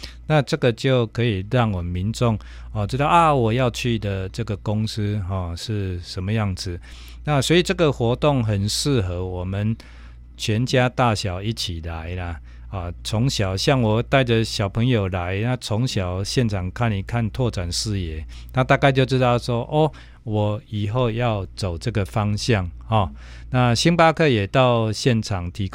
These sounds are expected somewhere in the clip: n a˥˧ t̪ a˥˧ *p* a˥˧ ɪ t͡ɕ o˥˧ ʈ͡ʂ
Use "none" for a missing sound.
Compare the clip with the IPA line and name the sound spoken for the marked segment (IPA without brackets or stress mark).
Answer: k